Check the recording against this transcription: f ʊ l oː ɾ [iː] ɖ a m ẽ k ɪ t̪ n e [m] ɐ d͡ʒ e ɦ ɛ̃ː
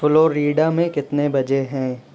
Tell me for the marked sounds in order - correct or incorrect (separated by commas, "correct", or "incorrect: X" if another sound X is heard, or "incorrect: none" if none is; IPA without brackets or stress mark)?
correct, incorrect: b